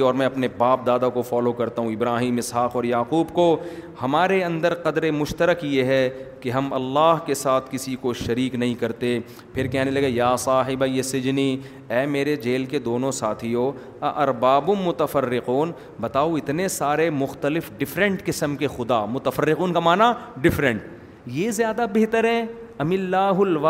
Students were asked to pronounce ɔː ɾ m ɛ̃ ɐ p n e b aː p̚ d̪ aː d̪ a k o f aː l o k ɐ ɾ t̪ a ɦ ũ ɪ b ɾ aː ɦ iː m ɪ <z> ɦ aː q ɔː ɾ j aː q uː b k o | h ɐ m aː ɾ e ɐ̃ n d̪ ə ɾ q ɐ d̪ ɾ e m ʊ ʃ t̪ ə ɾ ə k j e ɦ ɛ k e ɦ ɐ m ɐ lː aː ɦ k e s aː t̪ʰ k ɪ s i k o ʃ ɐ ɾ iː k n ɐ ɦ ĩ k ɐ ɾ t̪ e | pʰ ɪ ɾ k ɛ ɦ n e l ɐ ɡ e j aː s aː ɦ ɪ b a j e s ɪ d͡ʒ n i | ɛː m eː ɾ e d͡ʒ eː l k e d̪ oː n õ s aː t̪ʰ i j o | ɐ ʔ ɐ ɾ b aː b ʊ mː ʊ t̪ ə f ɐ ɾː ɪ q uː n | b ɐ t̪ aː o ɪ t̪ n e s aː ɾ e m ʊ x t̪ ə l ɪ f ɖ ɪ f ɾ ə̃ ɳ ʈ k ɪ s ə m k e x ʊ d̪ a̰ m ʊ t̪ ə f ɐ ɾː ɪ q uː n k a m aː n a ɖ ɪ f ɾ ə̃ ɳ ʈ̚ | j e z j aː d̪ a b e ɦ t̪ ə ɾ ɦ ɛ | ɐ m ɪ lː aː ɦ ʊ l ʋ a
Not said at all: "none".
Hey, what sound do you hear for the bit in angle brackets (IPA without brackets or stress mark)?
s